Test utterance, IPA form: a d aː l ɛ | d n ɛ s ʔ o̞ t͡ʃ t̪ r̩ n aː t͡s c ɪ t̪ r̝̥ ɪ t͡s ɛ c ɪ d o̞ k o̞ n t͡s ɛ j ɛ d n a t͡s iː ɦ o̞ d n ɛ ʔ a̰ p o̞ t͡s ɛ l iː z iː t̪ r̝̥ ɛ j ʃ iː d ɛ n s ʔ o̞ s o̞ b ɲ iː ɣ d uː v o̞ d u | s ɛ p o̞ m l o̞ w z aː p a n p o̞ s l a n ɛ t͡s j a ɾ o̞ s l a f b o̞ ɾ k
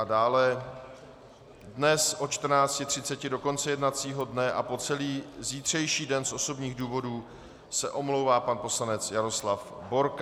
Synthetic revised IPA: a d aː l ɛ | d n ɛ s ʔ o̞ t͡ʃ t̪ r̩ n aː t͡s c ɪ t̪ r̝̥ ɪ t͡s ɛ c ɪ d o̞ k o̞ n t͡s ɛ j ɛ d n a t͡s iː ɦ o̞ d n ɛ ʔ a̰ p o̞ t͡s ɛ l iː z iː t̪ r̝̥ ɛ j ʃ iː d ɛ n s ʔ o̞ s o̞ b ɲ iː ɣ d uː v o̞ d uː | s ɛ ʔ o̞ m l o̞ w v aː p a n p o̞ s l a n ɛ t͡s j a ɾ o̞ s l a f b o̞ ɾ k